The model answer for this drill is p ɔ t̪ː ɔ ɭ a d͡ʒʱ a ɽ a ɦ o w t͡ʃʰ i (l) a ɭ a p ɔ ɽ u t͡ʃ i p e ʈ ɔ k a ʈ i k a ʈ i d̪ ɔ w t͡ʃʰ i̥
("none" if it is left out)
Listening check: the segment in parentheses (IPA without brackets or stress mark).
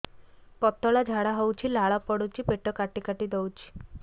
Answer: l